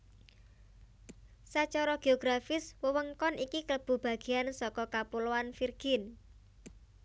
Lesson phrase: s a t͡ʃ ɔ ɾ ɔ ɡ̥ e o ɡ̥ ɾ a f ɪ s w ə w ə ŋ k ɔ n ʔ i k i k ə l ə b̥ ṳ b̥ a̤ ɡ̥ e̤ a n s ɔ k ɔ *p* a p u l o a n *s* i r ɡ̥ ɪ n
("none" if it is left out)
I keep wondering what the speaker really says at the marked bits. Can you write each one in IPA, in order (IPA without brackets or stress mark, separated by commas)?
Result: k, f